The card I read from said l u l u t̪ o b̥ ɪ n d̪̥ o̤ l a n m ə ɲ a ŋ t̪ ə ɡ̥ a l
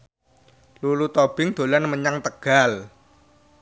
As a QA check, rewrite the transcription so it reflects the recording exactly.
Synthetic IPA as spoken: l u l u t̪ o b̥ ɪ ŋ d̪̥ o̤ l a n m ə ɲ a ŋ t̪ ə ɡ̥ a l